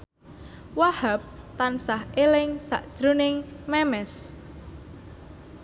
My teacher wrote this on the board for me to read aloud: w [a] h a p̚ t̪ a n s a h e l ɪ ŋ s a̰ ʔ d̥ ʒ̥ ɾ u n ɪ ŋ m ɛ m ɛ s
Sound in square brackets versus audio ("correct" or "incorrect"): correct